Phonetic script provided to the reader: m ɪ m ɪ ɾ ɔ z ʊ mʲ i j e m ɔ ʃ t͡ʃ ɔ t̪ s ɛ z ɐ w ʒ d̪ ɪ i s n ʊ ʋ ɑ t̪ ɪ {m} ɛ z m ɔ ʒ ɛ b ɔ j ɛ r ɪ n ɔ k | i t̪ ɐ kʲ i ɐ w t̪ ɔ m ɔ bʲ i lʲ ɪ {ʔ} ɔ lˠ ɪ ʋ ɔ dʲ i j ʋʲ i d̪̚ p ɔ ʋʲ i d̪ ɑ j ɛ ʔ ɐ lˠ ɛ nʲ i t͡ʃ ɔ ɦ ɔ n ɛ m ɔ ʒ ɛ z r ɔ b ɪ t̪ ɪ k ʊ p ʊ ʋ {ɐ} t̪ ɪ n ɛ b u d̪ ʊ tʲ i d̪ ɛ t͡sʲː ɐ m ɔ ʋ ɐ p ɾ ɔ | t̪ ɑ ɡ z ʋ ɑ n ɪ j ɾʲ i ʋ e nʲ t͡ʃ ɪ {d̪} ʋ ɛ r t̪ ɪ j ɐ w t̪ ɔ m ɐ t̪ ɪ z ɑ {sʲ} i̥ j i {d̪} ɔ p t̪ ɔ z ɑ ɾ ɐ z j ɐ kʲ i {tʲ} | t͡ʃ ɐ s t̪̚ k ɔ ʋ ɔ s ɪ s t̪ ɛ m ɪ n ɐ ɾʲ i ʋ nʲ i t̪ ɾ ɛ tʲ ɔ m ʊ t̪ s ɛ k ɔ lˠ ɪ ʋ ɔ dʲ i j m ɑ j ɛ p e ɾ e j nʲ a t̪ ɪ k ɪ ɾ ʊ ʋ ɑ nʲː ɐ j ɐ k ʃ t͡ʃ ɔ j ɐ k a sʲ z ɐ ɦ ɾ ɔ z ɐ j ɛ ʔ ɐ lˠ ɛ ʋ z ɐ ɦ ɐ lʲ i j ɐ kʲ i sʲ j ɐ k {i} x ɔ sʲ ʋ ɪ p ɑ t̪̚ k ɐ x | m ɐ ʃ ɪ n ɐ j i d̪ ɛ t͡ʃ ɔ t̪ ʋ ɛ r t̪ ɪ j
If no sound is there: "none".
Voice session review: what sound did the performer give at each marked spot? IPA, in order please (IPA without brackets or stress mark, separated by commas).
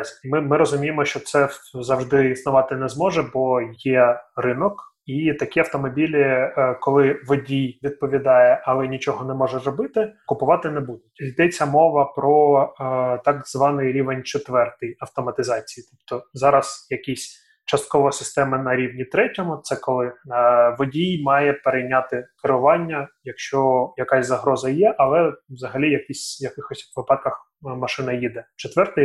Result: n, k, ɑ, t̪, t͡sʲ, t̪, sʲ, ɪ